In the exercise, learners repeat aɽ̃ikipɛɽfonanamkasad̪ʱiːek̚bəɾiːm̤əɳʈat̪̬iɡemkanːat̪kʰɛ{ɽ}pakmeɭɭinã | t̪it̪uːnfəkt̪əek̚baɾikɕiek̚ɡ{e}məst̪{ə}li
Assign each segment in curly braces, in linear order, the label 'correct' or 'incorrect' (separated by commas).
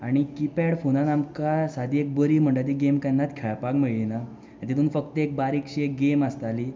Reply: incorrect, correct, incorrect